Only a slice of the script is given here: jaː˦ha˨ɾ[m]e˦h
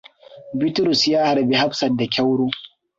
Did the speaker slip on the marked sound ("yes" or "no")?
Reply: yes